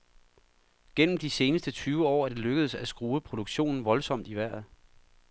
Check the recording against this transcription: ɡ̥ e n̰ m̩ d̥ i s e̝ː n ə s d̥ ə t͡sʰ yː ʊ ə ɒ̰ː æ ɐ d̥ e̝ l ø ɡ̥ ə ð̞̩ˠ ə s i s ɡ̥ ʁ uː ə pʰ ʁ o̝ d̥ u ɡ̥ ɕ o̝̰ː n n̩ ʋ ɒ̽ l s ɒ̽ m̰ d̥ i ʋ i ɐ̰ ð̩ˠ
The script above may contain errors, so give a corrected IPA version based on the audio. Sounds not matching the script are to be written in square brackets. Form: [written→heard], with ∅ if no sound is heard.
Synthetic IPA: ɡ̥ e n̰ m̩ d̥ i s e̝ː n ə s d̥ ə t͡sʰ yː ʊ ə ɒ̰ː æ ɐ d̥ e̝ l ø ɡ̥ ə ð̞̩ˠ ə s [i→æ] s ɡ̥ ʁ uː ə pʰ ʁ o̝ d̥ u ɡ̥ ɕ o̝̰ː n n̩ ʋ ɒ̽ l s ɒ̽ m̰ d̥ i ʋ [i→æ] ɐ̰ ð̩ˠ